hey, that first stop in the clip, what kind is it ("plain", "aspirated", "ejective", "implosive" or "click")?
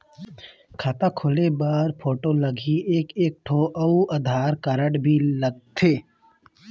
aspirated